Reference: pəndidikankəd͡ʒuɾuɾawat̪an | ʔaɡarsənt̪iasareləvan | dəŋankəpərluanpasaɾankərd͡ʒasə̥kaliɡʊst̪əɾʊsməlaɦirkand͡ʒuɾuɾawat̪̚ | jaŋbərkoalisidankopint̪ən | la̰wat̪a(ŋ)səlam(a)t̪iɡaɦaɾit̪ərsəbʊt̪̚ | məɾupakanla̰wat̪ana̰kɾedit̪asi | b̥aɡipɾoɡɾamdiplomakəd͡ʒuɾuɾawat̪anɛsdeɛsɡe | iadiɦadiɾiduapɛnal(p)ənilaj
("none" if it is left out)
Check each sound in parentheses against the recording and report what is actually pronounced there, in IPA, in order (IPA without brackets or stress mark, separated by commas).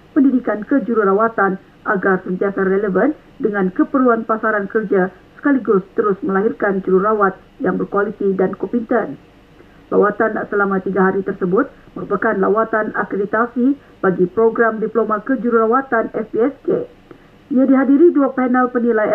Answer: n, a, p